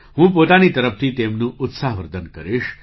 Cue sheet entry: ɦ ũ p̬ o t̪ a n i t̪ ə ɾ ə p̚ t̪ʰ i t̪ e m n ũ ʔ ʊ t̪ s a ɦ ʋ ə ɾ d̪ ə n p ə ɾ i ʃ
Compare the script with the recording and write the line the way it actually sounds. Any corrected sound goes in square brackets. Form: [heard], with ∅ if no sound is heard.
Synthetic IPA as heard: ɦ ũ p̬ o t̪ a n i t̪ ə ɾ ə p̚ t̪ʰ i t̪ e m n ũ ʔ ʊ t̪ s a ɦ ʋ ə ɾ d̪ ə n [k] ə ɾ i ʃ